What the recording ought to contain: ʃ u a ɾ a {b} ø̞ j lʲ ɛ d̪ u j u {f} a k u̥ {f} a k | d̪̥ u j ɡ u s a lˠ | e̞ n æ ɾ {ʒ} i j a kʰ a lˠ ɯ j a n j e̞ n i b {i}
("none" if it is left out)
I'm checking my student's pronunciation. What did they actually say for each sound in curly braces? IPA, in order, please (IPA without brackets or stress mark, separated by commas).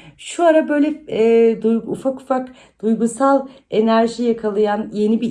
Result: b, f, f, ʒ, i